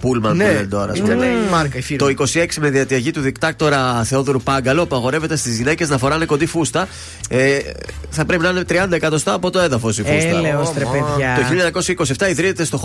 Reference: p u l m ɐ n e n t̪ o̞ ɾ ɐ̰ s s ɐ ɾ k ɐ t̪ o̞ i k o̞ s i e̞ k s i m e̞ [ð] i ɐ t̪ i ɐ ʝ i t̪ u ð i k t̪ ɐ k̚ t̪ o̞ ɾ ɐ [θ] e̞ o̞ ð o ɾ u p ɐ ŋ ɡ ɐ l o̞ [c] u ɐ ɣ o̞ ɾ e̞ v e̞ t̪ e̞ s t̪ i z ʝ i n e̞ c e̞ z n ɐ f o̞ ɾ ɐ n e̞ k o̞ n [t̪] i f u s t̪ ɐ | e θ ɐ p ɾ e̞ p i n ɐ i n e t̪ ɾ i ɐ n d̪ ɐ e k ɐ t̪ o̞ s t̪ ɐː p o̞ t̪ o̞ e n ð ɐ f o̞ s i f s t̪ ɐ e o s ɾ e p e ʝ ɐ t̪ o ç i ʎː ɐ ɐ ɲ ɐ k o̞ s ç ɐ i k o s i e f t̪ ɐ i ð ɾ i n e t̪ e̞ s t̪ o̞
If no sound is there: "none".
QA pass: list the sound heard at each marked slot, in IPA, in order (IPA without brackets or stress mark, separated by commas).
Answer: ð, θ, p, d̪